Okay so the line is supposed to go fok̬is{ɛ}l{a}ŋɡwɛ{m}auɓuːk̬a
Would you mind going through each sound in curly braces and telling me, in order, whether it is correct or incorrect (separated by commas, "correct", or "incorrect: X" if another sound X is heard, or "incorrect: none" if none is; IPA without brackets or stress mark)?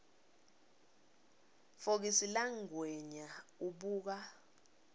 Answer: incorrect: i, correct, incorrect: ɲ